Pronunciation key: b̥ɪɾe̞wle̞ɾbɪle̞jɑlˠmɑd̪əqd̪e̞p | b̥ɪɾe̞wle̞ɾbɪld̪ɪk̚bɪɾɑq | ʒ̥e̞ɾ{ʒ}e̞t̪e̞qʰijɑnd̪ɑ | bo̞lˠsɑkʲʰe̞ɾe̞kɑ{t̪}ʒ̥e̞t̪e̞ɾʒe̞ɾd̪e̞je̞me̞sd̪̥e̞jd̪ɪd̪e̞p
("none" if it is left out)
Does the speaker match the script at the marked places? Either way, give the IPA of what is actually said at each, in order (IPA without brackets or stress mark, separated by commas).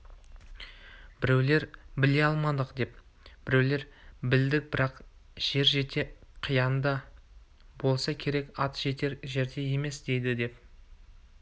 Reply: ʒ, t̪